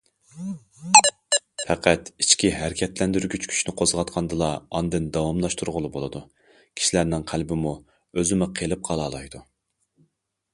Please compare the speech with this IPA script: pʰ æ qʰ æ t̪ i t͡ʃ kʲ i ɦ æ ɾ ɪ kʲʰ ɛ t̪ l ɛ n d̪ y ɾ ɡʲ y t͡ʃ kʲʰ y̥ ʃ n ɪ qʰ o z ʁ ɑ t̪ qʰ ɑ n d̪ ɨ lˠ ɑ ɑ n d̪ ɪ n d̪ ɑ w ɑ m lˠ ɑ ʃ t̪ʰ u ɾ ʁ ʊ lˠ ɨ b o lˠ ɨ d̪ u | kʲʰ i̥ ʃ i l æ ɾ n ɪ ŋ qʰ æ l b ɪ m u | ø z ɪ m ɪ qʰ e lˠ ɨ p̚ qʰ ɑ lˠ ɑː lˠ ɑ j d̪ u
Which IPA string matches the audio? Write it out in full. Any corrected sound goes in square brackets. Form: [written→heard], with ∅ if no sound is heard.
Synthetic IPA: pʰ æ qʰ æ t̪ i t͡ʃ kʲ i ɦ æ ɾ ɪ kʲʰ ɛ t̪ l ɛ n d̪ y ɾ ɡʲ y t͡ʃ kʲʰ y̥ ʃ n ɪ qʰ o z ʁ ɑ t̪ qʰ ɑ n d̪ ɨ lˠ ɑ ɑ n d̪ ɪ n d̪ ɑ w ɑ m lˠ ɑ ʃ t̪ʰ u ɾ ʁ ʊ lˠ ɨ b o lˠ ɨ d̪ u | kʲʰ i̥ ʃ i l æ ɾ n ɪ ŋ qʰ æ l b ɪ m u | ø z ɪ m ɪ qʰ e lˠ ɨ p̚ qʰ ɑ lˠ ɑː lˠ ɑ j d̪ u

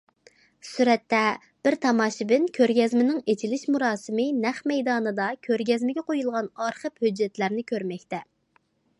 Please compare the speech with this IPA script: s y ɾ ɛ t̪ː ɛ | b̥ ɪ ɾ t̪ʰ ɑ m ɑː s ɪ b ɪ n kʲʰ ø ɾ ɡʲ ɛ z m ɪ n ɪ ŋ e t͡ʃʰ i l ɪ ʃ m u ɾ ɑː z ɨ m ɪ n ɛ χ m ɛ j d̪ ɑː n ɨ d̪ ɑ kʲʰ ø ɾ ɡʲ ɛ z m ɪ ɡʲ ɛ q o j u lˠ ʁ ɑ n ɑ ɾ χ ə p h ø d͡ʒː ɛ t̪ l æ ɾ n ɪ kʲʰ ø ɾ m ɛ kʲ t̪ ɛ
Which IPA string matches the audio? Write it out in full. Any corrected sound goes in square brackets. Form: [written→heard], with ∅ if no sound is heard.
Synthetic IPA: s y ɾ ɛ t̪ː ɛ | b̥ ɪ ɾ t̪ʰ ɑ m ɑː [s→ʃ] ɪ b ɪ n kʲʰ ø ɾ ɡʲ ɛ z m ɪ n ɪ ŋ e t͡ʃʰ i l ɪ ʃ m u ɾ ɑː [z→s] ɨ m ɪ n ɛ χ m ɛ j d̪ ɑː n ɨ d̪ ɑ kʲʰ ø ɾ ɡʲ ɛ z m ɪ ɡʲ ɛ q o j u lˠ ʁ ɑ n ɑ ɾ χ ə p h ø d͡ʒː ɛ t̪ l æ ɾ n ɪ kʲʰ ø ɾ m ɛ kʲ t̪ ɛ

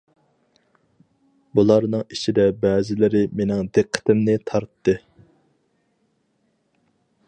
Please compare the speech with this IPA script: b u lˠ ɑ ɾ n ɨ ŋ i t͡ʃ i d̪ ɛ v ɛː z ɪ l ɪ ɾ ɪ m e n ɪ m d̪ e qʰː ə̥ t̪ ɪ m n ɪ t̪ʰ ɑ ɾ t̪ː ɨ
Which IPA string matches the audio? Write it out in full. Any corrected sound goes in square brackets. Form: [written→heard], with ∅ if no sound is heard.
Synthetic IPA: b u lˠ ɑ ɾ n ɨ ŋ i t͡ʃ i d̪ ɛ [v→b] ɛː z ɪ l ɪ ɾ ɪ m e n ɪ [m→ŋ] d̪ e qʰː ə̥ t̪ ɪ m n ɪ t̪ʰ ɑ ɾ t̪ː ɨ

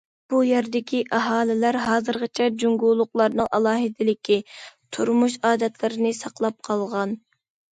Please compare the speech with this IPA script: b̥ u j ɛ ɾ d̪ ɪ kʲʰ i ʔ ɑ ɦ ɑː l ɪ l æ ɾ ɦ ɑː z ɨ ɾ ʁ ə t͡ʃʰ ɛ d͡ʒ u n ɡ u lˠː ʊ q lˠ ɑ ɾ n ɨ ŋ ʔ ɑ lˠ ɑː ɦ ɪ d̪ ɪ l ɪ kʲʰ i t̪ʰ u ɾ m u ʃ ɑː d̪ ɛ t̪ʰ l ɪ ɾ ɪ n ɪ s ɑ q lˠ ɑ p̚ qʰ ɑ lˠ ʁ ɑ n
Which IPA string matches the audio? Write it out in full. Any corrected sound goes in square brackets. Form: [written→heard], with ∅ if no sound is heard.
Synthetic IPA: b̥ u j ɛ ɾ d̪ ɪ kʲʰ i ʔ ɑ ɦ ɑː l ɪ l æ ɾ ɦ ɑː z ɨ ɾ ʁ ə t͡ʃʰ ɛ d͡ʒ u [n→ŋ] ɡ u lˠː ʊ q lˠ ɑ ɾ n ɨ ŋ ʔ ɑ lˠ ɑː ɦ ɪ d̪ ɪ l ɪ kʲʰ i t̪ʰ u ɾ m u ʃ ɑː d̪ ɛ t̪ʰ l ɪ ɾ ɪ n ɪ s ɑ q lˠ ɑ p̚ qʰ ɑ lˠ ʁ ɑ n

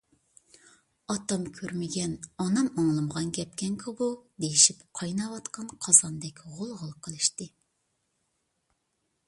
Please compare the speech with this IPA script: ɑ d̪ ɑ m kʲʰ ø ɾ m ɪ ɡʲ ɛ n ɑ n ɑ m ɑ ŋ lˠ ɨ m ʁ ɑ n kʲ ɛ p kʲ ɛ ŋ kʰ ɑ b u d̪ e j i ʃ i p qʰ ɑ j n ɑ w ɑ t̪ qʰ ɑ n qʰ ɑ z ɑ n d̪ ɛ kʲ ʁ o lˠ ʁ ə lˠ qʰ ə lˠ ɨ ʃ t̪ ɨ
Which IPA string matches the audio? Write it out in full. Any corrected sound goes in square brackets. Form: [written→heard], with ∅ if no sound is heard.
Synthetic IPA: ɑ [d̪→t̪] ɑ m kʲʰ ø ɾ m ɪ ɡʲ ɛ n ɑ n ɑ m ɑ ŋ lˠ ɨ m ʁ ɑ n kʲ ɛ p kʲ ɛ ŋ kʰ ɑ b u d̪ e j i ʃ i p qʰ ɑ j n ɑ w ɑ t̪ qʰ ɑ n qʰ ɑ z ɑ n d̪ ɛ kʲ ʁ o lˠ ʁ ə lˠ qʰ ə lˠ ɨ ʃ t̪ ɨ

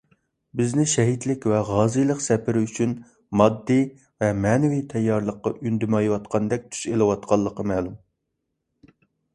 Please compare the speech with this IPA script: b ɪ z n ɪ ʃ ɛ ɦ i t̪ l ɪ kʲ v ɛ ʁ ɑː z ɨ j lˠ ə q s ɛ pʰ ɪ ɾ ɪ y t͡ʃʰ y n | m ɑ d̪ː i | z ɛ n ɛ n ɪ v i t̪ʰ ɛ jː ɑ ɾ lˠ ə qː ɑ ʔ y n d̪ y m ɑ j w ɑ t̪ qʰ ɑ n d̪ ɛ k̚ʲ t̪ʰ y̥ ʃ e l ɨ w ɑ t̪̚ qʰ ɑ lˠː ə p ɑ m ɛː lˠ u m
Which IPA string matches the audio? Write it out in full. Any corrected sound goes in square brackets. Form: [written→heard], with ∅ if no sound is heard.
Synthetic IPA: b ɪ z n ɪ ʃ ɛ ɦ i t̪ l ɪ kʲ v ɛ ʁ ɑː z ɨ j lˠ ə q s ɛ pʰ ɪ ɾ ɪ y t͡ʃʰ y n | m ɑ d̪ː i | [z→v] ɛ [n→m] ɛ n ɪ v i t̪ʰ ɛ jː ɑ ɾ lˠ ə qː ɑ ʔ y n d̪ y m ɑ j w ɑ t̪ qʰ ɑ n d̪ ɛ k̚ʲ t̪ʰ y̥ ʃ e l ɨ w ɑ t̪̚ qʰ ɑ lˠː ə [p→q] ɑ m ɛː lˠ u m

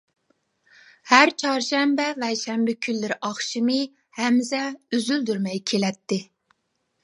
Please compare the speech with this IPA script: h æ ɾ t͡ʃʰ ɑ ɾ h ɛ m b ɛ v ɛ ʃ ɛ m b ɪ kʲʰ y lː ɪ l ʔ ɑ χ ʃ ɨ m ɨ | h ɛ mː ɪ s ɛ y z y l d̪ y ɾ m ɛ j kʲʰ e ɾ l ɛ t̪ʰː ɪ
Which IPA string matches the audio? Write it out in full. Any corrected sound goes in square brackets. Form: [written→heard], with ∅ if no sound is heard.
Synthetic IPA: h æ ɾ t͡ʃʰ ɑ ɾ [h→ʃ] ɛ m b ɛ v ɛ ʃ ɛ m b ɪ kʲʰ y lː ɪ [l→ɾ] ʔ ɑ χ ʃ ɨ m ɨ | h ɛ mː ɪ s ɛ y z y l d̪ y ɾ m ɛ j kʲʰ e [ɾ→∅] l ɛ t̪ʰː ɪ

